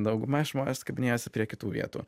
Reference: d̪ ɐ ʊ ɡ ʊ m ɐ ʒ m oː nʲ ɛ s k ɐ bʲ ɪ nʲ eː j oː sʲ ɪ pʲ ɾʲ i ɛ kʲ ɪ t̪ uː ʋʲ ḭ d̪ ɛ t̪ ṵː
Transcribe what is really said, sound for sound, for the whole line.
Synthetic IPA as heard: d̪ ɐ ʊ ɡ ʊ m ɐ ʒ m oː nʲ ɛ s k ɐ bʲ ɪ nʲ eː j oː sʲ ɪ pʲ ɾʲ i ɛ kʲ ɪ t̪ uː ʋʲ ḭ ɛ t̪ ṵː